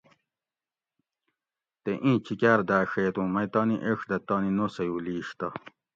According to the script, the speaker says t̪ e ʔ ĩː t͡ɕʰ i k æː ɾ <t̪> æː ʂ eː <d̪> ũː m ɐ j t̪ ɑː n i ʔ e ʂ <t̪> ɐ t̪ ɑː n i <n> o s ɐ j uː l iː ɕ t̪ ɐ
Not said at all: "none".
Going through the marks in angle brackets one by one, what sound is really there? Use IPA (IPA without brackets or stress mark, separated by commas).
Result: d̪, t̪, d̪, n